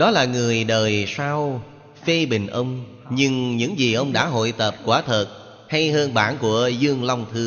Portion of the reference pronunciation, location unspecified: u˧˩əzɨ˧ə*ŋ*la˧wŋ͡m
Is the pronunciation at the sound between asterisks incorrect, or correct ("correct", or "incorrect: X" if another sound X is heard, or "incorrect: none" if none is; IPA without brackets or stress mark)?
correct